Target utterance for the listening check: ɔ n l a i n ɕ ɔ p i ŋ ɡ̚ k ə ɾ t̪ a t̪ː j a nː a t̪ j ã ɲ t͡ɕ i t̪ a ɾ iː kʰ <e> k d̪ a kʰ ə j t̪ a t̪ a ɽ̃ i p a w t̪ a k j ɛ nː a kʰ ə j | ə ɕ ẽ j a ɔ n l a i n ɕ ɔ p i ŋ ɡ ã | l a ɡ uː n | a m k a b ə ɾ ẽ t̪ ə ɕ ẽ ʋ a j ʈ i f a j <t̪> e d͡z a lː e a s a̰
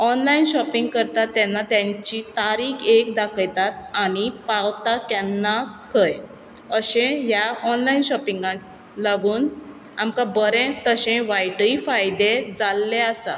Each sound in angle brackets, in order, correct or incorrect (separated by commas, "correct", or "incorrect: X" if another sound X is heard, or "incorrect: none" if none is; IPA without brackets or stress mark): correct, incorrect: d̪